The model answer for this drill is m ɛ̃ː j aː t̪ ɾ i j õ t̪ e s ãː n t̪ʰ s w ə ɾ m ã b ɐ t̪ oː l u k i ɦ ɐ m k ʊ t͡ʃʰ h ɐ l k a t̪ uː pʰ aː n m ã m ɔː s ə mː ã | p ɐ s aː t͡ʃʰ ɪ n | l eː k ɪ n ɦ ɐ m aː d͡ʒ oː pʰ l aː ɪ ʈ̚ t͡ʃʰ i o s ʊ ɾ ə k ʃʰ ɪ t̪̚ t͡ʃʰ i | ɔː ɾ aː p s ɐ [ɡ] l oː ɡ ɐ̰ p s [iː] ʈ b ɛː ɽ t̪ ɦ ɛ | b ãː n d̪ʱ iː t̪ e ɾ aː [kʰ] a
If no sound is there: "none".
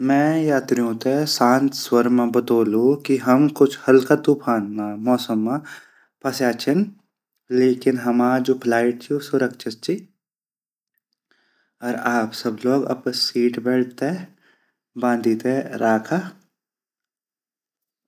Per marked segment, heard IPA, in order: b, iː, kʰ

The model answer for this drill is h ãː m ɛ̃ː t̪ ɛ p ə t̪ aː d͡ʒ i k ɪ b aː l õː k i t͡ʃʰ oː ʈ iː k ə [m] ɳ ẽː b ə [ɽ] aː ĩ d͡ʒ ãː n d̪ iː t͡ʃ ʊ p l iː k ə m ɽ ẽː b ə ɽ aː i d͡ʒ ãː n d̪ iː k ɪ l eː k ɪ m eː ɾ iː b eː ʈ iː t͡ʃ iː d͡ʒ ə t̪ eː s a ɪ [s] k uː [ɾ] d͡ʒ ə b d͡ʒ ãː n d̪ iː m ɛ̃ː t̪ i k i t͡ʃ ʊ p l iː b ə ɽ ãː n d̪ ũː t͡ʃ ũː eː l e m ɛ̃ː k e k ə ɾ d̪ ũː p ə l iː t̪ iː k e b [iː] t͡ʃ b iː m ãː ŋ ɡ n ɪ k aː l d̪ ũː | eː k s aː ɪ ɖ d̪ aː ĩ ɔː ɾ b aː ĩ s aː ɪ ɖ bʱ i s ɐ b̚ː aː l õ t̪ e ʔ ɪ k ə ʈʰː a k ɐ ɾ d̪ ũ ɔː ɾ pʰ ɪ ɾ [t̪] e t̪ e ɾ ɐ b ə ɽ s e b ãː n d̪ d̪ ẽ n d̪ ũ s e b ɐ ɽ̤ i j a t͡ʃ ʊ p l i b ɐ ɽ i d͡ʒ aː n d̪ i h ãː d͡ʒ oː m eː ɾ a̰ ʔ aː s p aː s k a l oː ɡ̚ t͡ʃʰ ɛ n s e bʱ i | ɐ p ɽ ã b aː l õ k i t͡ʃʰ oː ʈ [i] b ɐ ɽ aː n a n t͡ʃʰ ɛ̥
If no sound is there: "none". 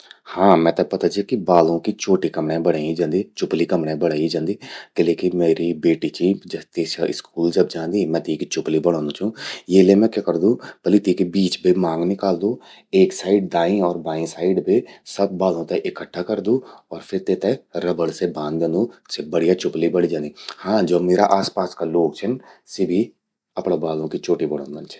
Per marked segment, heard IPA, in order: m, ɽ, s, l, iː, t̪, i

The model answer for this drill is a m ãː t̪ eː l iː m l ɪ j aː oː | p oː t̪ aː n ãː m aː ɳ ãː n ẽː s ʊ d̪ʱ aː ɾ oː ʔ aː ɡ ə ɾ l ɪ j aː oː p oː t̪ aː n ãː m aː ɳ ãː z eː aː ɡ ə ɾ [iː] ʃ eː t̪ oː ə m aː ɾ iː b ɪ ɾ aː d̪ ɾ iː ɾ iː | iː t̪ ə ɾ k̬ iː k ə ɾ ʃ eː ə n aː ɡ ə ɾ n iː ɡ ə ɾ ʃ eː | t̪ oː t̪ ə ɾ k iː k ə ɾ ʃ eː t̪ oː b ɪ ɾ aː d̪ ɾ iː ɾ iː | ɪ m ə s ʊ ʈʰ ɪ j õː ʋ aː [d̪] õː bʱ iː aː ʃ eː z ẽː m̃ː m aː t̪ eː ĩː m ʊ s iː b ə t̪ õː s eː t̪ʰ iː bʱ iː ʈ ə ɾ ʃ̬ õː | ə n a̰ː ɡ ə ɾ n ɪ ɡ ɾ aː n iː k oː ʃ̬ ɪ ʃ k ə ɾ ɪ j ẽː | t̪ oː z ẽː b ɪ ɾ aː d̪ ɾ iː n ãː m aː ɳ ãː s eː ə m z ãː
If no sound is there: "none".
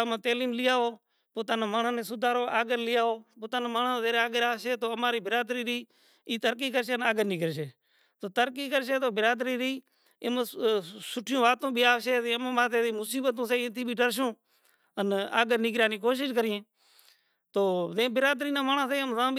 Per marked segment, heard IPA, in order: aː, t̪

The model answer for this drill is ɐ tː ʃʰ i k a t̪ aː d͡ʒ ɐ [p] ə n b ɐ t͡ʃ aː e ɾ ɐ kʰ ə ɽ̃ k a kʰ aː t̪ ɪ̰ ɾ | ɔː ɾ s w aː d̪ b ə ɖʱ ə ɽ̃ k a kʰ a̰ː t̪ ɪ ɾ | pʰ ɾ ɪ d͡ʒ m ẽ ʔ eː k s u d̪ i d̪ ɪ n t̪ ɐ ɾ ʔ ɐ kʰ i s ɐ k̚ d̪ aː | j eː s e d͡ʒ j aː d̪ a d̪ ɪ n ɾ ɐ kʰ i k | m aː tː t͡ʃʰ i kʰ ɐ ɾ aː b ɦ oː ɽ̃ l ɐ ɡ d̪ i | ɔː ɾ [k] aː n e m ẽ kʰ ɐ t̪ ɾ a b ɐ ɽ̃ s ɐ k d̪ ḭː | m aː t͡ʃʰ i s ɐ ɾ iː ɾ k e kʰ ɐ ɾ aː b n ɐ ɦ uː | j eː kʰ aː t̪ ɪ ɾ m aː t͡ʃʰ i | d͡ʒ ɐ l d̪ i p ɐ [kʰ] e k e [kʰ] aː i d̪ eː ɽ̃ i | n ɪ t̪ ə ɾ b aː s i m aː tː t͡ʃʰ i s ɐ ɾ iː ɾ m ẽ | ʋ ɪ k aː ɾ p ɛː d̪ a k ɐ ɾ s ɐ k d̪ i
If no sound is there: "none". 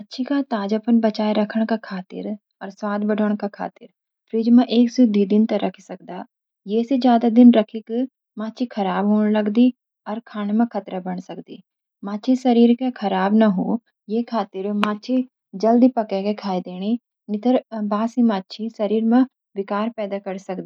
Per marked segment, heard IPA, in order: p, kʰ, k, kʰ

